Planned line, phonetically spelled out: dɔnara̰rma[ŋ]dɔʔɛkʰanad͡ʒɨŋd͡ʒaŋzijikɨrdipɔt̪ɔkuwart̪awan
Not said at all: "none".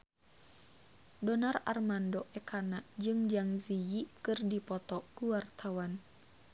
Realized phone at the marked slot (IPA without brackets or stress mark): n